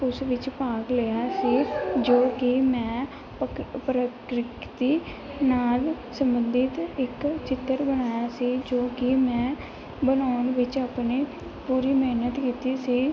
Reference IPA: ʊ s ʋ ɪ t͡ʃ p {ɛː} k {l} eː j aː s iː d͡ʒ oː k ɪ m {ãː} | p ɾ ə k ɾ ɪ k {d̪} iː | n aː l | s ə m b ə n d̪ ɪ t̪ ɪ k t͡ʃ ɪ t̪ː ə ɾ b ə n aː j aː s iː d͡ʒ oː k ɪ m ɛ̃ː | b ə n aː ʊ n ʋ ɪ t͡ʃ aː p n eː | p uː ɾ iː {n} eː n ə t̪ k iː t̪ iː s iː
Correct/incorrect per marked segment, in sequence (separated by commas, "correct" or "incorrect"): incorrect, correct, incorrect, incorrect, incorrect